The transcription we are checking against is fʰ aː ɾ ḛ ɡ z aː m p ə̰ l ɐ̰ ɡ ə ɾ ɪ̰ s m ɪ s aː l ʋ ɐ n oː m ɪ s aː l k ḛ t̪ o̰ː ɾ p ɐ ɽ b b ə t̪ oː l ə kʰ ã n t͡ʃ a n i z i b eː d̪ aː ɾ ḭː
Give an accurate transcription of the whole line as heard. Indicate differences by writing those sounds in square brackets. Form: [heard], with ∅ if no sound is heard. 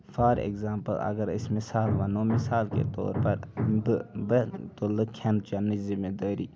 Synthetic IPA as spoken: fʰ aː ɾ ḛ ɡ z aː m p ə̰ l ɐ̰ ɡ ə ɾ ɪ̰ s m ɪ s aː l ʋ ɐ n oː m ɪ s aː l k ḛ t̪ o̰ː ɾ p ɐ [ɾ] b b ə t̪ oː l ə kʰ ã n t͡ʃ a n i z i [m] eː d̪ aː ɾ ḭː